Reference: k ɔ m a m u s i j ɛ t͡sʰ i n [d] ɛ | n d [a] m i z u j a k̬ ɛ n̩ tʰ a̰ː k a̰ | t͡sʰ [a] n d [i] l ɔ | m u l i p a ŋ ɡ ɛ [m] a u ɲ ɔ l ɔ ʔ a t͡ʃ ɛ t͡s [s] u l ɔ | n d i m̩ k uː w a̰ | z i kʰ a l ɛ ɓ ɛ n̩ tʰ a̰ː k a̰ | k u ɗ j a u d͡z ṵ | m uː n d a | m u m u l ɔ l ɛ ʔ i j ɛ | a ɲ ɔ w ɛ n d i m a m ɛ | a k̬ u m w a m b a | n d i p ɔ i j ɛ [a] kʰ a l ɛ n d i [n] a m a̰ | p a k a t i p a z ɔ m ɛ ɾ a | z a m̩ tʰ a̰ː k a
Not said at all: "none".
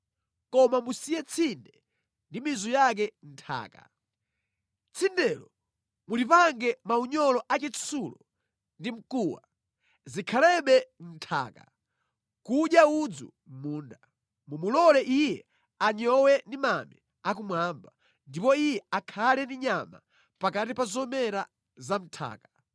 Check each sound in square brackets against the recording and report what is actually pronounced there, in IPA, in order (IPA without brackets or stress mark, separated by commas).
d, i, i, ɛ, m, s, a, ɲ